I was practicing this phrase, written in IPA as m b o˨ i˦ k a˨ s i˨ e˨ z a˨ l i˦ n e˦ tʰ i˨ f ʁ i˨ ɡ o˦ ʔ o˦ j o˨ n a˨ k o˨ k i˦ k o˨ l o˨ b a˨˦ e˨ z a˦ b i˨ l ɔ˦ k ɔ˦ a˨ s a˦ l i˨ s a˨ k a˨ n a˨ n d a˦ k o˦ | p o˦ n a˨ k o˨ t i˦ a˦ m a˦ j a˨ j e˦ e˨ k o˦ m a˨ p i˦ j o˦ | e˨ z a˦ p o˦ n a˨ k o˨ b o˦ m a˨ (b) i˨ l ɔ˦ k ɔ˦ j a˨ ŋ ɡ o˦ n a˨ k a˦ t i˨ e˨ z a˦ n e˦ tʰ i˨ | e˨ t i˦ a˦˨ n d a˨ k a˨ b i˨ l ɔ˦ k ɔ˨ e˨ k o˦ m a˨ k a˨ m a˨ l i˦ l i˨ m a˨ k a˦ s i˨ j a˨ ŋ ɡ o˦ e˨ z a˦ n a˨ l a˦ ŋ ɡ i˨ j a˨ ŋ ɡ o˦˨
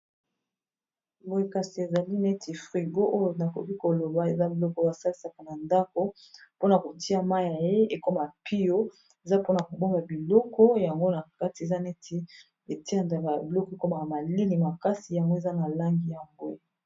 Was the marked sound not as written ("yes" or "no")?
no